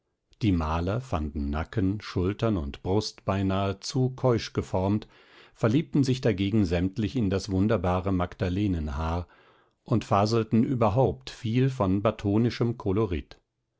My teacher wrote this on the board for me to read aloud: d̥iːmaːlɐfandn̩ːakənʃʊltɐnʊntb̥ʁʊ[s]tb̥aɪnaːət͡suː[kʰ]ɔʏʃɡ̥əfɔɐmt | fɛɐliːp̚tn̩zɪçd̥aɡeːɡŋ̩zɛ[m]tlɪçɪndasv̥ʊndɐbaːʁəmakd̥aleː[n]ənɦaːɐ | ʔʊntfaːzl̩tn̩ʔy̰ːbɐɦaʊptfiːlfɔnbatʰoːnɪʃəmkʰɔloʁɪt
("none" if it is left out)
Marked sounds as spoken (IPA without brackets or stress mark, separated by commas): s, kʰ, m, n